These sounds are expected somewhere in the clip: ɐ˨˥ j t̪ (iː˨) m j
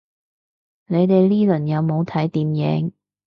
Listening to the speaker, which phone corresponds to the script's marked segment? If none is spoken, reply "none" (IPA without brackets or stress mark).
iː˨